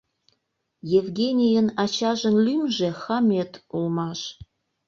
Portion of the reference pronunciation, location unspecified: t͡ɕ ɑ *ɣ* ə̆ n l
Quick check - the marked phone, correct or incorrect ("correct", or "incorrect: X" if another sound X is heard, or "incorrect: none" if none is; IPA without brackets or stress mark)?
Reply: incorrect: ʒ